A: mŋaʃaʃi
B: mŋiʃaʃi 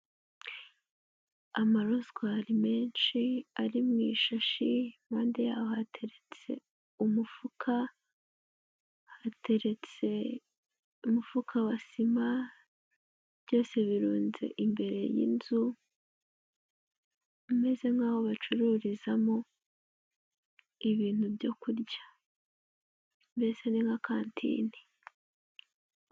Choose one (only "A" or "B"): B